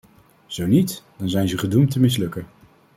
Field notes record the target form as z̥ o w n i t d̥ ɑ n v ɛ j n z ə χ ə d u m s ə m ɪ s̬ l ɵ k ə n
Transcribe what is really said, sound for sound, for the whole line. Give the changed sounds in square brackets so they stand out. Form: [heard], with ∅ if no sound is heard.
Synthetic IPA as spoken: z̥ o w n i t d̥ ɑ n [z] ɛ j n z ə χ ə d u m [t] ə m ɪ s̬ l ɵ k ə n